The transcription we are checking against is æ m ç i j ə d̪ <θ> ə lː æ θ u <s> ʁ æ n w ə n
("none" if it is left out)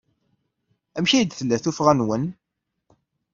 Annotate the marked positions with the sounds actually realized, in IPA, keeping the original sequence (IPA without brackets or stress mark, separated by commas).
θ, f